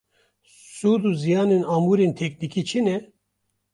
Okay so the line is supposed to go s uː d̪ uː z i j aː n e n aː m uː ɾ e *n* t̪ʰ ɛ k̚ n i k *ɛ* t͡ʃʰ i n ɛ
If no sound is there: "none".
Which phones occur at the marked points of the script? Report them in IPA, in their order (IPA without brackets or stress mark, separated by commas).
n, i